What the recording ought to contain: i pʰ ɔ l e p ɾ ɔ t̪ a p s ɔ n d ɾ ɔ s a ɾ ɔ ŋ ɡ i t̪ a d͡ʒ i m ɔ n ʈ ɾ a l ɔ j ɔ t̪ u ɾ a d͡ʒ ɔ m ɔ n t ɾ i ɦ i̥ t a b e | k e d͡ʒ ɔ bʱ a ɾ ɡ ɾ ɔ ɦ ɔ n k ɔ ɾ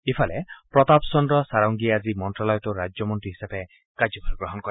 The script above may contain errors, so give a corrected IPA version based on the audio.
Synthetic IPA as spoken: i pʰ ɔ l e p ɾ ɔ t̪ a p s ɔ n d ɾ ɔ s a ɾ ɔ ŋ ɡ i a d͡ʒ i m ɔ n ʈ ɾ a l ɔ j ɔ t̪ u ɾ a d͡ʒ ɔ m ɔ n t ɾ i ɦ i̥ s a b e | k a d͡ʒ ɔ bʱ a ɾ ɡ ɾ ɔ ɦ ɔ n k ɔ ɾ

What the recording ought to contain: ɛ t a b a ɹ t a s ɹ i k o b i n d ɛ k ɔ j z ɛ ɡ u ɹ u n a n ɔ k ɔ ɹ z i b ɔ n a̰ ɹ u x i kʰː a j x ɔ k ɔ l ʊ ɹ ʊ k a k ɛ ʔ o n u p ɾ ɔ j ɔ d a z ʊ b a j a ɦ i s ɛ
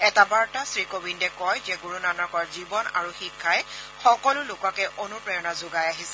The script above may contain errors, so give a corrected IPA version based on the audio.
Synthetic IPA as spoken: ɛ t a b a ɹ t a s ɹ i k o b i n d ɛ k ɔ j z ɛ ɡ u ɹ u n a n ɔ k ɔ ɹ z i b ɔ n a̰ ɹ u x i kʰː a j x ɔ k ɔ l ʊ l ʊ k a k ɛ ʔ o n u p ɹ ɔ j ɔ n a z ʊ ɡ a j a ɦ i s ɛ

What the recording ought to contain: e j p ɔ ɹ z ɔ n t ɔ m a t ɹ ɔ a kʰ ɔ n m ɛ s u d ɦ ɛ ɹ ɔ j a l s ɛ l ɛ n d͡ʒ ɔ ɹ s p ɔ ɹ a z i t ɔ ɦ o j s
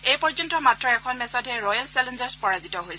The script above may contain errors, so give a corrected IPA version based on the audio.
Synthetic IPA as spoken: e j p ɔ ɹ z ɔ n t ɔ m a t ɹ ɔ ɛ kʰ ɔ n m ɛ s ɔ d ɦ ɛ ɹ ɔ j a l s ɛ l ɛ n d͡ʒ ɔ ɹ s p ɔ ɹ a z i t ɔ ɦ o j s

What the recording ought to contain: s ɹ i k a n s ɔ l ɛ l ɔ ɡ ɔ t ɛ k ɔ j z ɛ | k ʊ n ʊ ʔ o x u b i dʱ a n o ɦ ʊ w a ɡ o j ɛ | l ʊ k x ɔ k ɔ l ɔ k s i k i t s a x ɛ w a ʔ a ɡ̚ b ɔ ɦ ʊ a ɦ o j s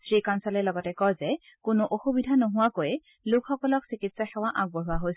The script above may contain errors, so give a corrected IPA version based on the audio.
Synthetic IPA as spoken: s ɹ i k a n s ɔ l ɛ l ɔ ɡ ɔ t ɛ k ɔ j z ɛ | k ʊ n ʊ ʔ o x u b i dʱ a n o ɦ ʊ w a k o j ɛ | l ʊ k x ɔ k ɔ l ɔ k s i k i t s a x ɛ w a ʔ a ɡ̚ b ɔ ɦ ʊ a ɦ o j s

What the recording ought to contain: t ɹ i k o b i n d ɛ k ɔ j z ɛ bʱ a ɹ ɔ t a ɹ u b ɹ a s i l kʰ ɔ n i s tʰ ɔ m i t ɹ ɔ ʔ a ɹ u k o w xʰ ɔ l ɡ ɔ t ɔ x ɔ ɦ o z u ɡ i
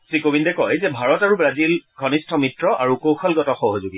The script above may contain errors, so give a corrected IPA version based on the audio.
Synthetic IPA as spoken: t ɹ i k o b i n d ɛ k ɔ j z ɛ bʱ a ɹ ɔ t a ɹ u b ɹ a z i l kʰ ɔ n i s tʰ ɔ m i t ɹ ɔ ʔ a ɹ u k o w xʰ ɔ l ɡ ɔ t ɔ x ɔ ɦ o z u ɡ i

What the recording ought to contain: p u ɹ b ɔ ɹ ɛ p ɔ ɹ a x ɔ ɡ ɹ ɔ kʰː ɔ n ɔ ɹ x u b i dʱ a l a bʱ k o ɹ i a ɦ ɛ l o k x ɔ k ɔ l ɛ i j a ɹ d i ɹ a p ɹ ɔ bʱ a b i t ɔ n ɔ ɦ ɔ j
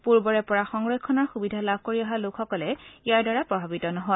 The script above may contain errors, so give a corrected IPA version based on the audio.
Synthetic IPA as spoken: p u ɹ b ɔ ɹ ɛ p ɔ ɹ a x ɔ ŋ ɹ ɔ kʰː ɔ n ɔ ɹ x u b i dʱ a l a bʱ k o ɹ i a ɦ a l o k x ɔ k ɔ l ɛ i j a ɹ d a ɹ a p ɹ ɔ bʱ a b i t ɔ n ɔ ɦ ɔ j

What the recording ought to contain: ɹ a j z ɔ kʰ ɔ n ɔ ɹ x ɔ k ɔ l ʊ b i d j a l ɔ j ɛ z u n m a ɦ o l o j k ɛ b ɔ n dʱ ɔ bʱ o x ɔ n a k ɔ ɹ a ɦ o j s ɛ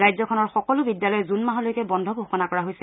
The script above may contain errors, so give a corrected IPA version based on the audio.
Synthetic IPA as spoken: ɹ a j z ɔ kʰ ɔ n ɔ ɹ x ɔ k ɔ l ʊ b i d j a l ɔ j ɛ z u n m a ɦ ɔ l o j k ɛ b ɔ n dʱ ɔ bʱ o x ɔ n a k ɔ ɹ a ɦ o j s ɛ

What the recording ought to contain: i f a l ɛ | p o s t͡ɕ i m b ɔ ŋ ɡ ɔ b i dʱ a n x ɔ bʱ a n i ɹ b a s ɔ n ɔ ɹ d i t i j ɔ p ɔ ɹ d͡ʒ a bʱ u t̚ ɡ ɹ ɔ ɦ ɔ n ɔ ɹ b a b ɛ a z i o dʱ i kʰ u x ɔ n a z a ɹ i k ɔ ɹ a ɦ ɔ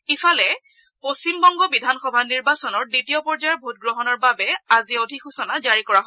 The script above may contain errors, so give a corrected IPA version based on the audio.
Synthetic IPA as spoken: i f a l ɛ | p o s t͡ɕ i m b ɔ ŋ ɡ ɔ b i dʱ a n x ɔ bʱ a n i ɹ b a s ɔ n ɔ ɹ d i t i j ɔ p ɔ ɹ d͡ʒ a bʱ u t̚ ɡ ɹ ɔ ɦ ɔ n ɔ ɹ b a b ɛ a z i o dʱ i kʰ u s ɔ n a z a ɹ i k ɔ ɹ a ɦ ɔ

